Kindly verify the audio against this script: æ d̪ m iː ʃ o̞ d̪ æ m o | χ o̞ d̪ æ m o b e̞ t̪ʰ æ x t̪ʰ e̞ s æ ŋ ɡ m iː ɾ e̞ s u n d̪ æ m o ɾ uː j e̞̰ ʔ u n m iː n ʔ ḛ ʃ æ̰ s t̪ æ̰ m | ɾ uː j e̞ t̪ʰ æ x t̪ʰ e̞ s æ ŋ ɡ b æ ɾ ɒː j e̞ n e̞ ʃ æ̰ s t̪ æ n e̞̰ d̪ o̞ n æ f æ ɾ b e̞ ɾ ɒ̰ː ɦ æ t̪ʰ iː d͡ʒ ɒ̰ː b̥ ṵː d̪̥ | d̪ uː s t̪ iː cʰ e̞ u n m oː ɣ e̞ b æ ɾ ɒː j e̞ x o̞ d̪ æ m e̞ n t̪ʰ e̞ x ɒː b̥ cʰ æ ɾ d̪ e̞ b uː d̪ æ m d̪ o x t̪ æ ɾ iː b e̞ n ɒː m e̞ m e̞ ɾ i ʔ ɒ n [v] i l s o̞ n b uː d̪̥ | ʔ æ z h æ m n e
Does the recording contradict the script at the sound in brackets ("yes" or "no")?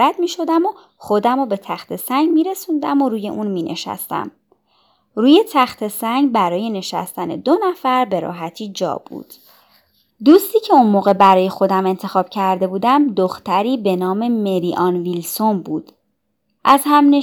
no